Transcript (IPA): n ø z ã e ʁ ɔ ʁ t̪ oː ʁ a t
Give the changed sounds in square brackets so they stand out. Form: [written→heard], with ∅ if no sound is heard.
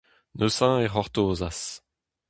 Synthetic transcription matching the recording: n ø [z→s] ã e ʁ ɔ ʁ t̪ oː [ʁ→z] a [t→s]